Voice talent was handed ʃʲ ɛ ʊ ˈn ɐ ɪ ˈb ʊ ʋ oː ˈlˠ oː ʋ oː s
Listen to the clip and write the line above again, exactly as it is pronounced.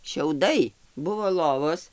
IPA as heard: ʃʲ ɛ ʊ ˈd ɐ ɪ ˈb ʊ ʋ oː ˈlˠ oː ʋ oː s